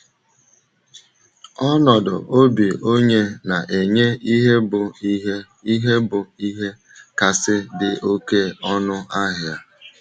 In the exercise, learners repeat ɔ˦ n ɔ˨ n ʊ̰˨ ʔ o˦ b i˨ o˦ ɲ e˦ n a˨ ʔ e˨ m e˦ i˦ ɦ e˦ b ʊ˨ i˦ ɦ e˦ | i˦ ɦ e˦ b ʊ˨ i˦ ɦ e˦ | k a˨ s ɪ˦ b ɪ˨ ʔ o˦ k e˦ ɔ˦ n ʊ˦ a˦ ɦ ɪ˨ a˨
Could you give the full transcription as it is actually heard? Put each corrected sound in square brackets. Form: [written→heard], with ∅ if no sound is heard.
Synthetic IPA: ɔ˦ n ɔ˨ [n→d] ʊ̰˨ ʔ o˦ b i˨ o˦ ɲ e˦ n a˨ ʔ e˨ [m→ɲ] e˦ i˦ ɦ e˦ b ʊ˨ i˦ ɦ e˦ | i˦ ɦ e˦ b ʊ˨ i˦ ɦ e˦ | k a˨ s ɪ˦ [b→d] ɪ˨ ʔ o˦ k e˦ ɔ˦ n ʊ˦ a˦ ɦ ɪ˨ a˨